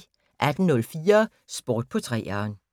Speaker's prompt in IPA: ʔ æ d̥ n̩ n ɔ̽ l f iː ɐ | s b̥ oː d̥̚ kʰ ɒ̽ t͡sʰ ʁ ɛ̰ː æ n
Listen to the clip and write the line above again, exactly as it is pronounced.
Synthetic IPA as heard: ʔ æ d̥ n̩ n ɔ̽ l f iː ɐ | s b̥ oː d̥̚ pʰ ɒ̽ t͡sʰ ʁ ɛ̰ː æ n